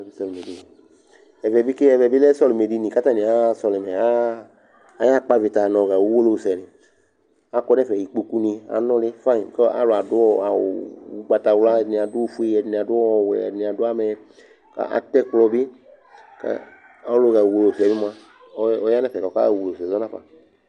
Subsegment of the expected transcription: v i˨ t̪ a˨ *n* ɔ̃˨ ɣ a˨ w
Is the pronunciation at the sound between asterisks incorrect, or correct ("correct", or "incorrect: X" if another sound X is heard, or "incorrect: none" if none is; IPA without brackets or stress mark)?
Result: correct